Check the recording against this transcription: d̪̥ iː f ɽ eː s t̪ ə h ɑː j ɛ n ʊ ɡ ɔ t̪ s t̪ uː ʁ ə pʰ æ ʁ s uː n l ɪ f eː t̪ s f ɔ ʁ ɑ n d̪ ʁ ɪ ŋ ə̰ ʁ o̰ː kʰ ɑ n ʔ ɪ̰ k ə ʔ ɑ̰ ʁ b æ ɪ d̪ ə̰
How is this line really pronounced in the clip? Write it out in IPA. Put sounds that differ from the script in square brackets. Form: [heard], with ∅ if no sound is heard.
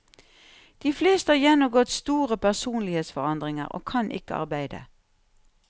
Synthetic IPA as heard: d̪̥ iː f [l] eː s t̪ ə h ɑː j ɛ n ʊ ɡ ɔ t̪ s t̪ uː ʁ ə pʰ æ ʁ s uː n l ɪ [h] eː t̪ s f ɔ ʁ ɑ n d̪ ʁ ɪ ŋ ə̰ ʁ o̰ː kʰ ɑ n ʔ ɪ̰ k ə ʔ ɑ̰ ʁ b æ ɪ d̪ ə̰